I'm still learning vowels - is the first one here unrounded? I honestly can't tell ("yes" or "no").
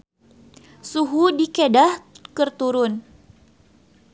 no